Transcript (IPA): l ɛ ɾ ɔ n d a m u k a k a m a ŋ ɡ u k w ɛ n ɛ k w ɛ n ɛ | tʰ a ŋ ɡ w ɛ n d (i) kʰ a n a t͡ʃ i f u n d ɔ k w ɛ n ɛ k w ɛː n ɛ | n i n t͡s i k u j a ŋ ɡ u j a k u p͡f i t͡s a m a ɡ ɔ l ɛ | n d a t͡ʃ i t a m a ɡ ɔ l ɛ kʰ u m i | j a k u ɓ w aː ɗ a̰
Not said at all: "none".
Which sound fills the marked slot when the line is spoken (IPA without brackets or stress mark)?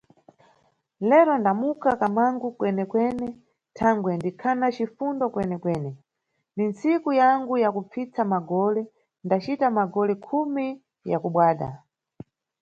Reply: i